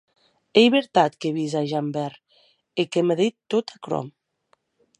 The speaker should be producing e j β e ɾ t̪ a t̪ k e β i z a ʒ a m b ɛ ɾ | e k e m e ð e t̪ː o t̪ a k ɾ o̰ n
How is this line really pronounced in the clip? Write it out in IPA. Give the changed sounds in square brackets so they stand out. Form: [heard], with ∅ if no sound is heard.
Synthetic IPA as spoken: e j β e ɾ t̪ a t̪ k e β i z a ʒ a m b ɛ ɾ | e k e m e ð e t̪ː o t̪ a k ɾ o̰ [m]